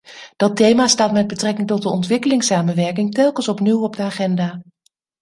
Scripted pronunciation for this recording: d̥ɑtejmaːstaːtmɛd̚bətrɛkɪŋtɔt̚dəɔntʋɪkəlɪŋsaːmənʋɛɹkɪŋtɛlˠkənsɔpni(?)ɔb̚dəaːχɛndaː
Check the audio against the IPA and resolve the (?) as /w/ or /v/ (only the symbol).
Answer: w